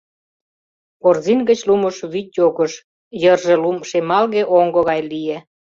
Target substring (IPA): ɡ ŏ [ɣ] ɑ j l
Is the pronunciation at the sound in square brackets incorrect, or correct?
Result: correct